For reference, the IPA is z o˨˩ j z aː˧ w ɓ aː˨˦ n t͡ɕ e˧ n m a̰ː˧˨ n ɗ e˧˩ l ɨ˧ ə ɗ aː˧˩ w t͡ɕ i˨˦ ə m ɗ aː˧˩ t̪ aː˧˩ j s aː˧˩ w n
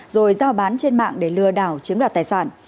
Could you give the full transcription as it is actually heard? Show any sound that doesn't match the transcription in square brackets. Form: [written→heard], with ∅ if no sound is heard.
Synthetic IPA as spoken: z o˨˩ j z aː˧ w ɓ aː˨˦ n t͡ɕ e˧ n m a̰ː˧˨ [n→ŋ] ɗ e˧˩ l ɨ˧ ə ɗ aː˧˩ w t͡ɕ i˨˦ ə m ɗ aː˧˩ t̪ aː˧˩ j s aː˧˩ [w→∅] n